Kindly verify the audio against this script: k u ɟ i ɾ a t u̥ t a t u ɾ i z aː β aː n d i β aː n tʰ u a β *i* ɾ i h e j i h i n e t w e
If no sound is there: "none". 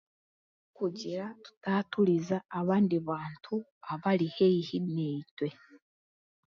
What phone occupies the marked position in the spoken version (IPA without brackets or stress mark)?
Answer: a